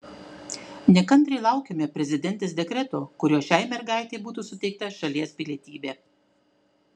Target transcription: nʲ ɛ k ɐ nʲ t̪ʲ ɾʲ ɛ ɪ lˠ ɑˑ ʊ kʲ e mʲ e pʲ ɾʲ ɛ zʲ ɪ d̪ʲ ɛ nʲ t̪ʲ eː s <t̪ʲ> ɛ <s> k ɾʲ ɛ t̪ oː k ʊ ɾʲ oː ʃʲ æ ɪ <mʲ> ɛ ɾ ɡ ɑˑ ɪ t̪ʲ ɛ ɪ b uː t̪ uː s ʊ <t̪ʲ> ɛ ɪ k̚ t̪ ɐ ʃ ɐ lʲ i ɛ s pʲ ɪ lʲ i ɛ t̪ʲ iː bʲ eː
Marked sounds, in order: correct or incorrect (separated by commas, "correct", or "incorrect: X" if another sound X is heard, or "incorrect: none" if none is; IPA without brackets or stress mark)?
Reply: incorrect: d̪ʲ, incorrect: none, correct, correct